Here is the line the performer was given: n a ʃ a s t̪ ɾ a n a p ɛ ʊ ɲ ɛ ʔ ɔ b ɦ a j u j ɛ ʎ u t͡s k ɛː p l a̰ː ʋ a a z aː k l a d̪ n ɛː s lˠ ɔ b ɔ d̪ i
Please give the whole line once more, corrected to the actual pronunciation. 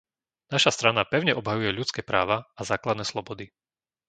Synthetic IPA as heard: n a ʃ a s t̪ ɾ a n a p ɛ ʊ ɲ ɛ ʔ ɔ b ɦ a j u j ɛ ʎ u t͡s k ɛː p ɾ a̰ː ʋ a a z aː k l a d̪ n ɛː s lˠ ɔ b ɔ d̪ i